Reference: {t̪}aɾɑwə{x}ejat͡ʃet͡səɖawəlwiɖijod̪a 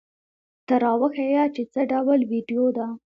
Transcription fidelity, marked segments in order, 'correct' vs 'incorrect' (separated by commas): correct, correct